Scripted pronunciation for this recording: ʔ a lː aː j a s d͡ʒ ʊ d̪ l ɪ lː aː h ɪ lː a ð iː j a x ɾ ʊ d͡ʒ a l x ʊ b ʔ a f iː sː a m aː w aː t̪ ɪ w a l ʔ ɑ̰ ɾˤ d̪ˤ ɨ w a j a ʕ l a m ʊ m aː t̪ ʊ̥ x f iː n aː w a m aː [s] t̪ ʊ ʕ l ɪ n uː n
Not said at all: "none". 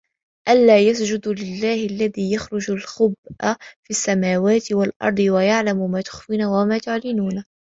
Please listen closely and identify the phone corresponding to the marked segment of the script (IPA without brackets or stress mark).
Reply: none